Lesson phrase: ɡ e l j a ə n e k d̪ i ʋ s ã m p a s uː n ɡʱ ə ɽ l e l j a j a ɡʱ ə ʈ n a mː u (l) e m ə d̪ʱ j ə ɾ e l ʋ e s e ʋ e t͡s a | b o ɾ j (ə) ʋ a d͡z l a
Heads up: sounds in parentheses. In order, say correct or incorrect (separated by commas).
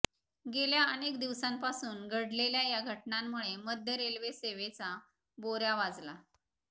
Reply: incorrect, incorrect